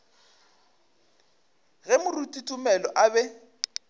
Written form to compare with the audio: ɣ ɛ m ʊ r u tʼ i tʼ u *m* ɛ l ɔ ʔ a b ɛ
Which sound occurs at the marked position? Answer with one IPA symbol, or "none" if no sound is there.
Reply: m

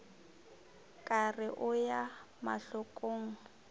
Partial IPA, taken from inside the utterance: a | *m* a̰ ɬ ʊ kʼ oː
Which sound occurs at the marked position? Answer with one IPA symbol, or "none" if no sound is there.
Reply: m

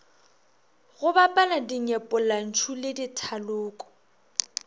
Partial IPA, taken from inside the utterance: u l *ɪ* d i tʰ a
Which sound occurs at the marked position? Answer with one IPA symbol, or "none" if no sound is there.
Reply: ɪ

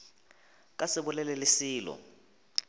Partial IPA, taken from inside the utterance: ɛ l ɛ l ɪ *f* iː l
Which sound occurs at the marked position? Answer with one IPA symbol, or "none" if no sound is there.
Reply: s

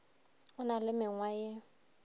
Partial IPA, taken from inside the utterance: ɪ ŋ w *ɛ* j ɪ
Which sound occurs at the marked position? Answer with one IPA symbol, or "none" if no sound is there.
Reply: a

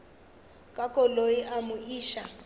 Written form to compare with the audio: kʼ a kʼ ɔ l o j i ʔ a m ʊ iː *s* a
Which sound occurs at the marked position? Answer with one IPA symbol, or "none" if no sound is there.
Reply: ʃ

